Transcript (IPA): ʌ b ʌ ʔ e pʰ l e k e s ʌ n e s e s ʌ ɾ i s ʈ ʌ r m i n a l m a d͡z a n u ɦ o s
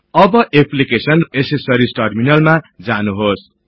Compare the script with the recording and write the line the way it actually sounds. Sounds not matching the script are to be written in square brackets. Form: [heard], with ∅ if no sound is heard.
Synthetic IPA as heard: ʌ b ʌ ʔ e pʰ l [i] k e s ʌ n e s e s ʌ ɾ i s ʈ ʌ r m i n [ʌ] l m a d͡z a n u ɦ o s